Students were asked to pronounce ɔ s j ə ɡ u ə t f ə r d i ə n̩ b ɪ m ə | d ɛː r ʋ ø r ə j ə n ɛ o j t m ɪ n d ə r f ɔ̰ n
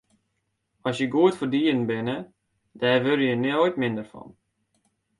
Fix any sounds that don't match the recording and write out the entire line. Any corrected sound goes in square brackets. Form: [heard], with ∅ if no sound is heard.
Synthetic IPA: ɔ s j ə ɡ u ə t f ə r d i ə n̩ b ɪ [n] ə | d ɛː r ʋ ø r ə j ə n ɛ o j t m ɪ n d ə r f ɔ̰ n